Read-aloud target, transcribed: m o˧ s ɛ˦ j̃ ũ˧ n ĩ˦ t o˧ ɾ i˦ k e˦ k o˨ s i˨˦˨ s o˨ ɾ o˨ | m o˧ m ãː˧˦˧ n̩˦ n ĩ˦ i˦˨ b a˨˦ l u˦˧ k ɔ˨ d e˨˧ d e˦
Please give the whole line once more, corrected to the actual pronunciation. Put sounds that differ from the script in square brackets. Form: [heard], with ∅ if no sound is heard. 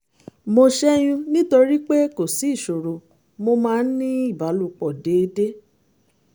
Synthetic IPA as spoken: m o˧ [ʃ] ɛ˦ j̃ ũ˧ n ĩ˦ t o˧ ɾ i˦ [k͡p] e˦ k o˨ s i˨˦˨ [ʃ] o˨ ɾ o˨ | m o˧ m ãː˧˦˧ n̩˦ n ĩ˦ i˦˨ b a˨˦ l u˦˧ [k͡p] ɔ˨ d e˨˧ d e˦